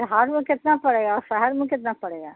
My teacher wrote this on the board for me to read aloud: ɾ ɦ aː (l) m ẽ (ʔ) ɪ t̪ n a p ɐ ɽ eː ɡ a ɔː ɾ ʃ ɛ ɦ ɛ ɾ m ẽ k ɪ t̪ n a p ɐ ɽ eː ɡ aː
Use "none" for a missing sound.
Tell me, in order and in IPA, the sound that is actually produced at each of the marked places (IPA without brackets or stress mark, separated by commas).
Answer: ɾ, k